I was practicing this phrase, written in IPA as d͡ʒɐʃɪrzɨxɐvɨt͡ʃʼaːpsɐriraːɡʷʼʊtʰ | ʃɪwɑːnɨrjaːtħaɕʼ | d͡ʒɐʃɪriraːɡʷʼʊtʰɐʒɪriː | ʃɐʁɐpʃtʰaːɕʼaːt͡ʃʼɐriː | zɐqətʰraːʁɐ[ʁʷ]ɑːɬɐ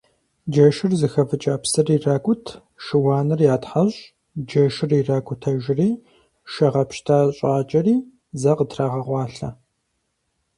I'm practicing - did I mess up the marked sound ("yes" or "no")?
no